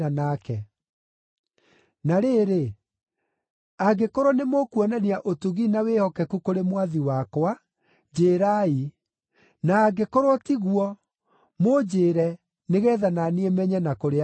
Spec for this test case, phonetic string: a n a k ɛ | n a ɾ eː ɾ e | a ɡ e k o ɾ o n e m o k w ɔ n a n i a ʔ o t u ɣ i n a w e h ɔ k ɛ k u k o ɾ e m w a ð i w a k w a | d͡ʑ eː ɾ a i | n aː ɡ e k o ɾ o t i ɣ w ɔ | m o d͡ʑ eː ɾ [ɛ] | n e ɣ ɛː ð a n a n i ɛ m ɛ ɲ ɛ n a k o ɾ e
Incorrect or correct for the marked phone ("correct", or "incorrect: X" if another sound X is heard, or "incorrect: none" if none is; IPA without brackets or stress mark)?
correct